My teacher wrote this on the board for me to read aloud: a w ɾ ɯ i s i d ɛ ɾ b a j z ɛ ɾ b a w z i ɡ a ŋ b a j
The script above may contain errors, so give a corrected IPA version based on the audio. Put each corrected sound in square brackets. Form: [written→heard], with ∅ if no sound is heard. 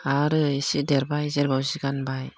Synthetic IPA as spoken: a [w→∅] ɾ ɯ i s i d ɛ ɾ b a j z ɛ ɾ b a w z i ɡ a [ŋ→n] b a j